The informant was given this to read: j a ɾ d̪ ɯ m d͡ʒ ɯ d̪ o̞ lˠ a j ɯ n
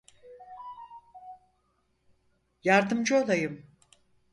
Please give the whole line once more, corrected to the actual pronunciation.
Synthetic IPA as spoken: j a ɾ d̪ ɯ m d͡ʒ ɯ o̞ lˠ a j ɯ m